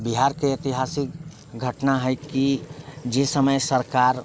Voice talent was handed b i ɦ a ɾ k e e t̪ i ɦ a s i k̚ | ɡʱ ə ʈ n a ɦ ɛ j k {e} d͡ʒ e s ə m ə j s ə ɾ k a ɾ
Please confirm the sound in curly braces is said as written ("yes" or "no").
no